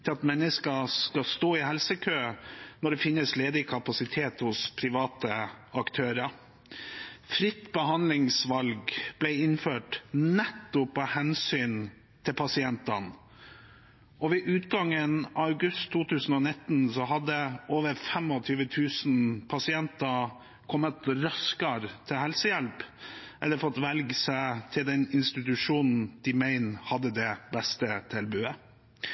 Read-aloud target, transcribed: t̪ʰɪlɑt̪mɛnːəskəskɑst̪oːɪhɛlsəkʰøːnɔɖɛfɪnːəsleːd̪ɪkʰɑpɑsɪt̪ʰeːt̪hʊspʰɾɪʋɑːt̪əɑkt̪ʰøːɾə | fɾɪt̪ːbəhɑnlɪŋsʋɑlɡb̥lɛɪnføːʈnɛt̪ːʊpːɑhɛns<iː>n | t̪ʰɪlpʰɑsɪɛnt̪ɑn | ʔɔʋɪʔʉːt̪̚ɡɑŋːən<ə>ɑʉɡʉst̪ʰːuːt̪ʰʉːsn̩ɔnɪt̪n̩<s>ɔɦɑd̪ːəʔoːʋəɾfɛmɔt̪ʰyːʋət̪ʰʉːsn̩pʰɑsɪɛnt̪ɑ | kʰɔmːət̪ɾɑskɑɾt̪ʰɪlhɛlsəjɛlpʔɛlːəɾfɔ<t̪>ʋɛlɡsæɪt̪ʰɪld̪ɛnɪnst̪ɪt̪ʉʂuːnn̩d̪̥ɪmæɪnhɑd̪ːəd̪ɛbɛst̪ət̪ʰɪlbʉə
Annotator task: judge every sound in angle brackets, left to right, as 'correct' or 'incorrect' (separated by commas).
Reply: incorrect, incorrect, correct, correct